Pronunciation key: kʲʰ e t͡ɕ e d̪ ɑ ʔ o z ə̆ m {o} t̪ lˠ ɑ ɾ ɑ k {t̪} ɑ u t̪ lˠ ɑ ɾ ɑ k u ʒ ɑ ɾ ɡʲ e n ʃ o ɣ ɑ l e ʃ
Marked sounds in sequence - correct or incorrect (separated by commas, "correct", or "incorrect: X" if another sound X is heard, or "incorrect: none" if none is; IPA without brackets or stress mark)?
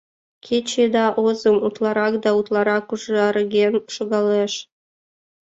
incorrect: u, incorrect: d̪